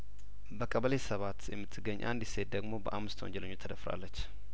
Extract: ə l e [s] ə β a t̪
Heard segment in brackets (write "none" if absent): s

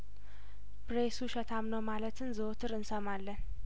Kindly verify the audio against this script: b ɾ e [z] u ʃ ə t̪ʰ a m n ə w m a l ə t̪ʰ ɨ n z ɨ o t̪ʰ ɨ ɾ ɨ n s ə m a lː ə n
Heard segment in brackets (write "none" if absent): s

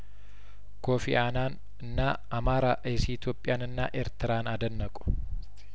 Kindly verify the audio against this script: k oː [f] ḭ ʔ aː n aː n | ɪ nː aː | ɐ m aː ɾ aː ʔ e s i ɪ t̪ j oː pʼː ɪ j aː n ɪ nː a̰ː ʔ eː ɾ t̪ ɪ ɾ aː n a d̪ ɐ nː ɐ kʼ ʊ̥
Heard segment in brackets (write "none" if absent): f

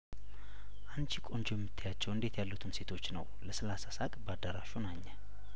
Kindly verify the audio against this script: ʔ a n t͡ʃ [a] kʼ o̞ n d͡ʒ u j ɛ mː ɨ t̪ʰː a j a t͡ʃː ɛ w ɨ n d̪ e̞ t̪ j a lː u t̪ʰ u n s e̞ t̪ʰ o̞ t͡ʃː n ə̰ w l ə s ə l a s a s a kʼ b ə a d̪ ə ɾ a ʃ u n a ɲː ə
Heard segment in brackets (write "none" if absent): i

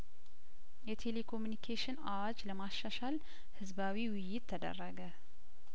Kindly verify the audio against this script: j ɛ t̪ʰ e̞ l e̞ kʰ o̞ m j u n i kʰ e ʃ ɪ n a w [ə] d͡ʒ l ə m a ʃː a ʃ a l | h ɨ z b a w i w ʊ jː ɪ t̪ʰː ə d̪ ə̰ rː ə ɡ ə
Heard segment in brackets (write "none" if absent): a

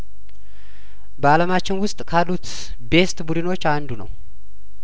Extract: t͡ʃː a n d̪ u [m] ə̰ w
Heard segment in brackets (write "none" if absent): n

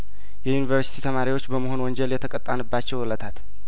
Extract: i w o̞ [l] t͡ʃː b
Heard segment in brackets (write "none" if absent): none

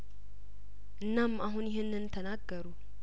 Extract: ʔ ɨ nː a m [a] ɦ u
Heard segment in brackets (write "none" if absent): a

